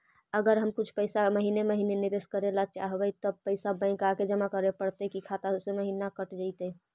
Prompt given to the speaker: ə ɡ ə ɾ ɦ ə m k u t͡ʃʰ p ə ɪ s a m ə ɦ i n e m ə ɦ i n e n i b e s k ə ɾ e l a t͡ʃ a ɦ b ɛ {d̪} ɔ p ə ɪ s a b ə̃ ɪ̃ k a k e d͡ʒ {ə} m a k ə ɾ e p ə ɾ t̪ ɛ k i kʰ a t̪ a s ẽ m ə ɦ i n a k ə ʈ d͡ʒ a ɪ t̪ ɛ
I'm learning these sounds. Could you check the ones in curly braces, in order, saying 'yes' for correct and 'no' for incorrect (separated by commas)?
no, yes